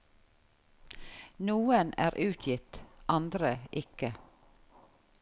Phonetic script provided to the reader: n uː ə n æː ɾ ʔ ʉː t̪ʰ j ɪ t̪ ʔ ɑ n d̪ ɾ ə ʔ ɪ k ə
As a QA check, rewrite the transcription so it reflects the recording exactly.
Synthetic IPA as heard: n uː ə n æː ɾ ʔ ʉː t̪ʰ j ɪ t̪ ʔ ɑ n d̪ ɾ ə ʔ ɪ k ə